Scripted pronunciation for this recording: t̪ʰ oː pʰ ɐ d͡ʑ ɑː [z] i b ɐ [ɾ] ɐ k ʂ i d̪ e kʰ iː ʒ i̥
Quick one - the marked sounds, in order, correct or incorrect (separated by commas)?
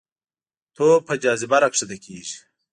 correct, correct